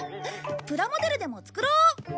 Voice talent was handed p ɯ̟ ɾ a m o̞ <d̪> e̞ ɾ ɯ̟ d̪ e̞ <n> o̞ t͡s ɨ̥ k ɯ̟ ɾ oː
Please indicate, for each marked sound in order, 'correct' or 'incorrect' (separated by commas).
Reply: correct, incorrect